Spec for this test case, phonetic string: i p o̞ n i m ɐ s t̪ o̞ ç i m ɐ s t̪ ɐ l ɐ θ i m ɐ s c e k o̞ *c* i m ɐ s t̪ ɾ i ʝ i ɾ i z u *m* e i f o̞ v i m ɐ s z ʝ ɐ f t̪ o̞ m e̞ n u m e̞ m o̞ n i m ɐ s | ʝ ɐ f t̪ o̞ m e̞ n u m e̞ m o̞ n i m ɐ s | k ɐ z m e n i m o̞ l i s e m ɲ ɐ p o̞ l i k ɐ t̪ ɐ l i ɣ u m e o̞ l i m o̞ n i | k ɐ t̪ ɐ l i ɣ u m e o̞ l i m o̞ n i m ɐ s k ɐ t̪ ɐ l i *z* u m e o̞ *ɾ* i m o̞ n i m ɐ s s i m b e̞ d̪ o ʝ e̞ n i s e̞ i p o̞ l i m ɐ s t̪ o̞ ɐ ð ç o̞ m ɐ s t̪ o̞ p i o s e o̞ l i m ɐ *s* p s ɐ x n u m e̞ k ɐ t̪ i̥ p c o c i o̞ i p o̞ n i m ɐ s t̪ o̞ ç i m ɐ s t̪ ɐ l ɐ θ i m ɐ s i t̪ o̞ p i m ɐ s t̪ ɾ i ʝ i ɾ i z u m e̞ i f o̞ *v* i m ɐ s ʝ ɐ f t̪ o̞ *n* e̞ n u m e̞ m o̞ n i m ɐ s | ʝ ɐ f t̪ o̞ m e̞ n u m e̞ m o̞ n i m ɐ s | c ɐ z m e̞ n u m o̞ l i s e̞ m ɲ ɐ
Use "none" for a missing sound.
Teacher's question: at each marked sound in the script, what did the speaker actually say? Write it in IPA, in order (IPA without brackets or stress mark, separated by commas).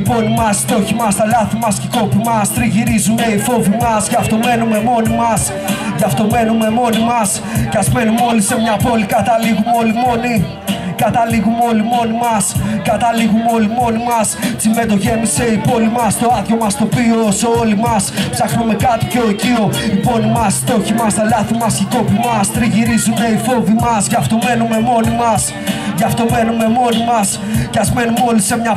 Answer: p, m, ɣ, l, s, v, m